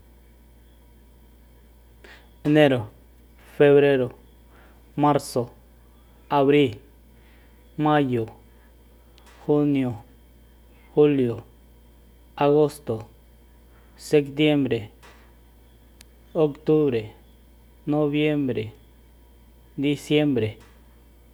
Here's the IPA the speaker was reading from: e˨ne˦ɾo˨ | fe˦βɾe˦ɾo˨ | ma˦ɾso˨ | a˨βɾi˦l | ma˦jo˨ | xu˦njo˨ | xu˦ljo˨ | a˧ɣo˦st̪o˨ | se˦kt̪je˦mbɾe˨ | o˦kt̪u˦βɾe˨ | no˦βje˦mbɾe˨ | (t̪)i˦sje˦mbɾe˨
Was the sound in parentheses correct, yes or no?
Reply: no